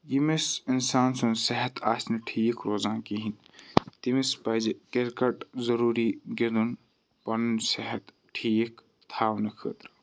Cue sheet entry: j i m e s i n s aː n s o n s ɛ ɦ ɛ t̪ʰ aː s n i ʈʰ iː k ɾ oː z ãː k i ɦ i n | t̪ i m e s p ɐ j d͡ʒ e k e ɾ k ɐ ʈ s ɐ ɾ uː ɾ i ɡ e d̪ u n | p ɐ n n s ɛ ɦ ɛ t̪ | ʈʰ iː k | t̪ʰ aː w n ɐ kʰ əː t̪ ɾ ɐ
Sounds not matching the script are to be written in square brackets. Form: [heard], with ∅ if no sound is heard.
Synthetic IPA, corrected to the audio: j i m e s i n s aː n s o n s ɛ ɦ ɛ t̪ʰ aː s n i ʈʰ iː k ɾ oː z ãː k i ɦ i n | t̪ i m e s p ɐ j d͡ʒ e k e ɾ k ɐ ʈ [z] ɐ ɾ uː ɾ i ɡ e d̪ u n | p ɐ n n s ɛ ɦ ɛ t̪ | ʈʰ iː k | t̪ʰ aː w n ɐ kʰ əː t̪ ɾ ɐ